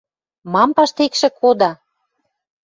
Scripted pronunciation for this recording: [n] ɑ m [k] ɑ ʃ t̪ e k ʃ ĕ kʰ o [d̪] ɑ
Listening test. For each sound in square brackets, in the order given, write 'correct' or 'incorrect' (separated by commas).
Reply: incorrect, incorrect, correct